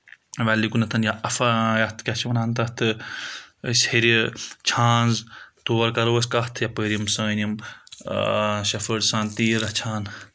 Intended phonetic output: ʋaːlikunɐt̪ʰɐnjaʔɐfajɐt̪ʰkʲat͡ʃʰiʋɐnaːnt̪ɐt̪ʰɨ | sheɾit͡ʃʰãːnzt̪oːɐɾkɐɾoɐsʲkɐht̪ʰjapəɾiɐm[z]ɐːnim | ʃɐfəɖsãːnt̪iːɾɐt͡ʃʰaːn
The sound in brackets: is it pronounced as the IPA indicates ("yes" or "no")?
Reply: no